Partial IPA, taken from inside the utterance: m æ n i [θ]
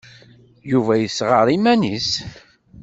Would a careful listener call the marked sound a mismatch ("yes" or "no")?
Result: yes